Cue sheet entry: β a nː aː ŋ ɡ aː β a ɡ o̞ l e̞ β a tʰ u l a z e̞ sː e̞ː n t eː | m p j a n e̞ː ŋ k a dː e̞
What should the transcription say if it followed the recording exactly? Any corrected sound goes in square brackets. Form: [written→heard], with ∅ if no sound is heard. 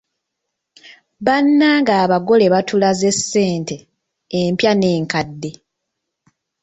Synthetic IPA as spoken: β a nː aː ŋ ɡ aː β a ɡ o̞ l e̞ β a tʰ u l a z e̞ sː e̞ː n t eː | m p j a n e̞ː ŋ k a dː e̞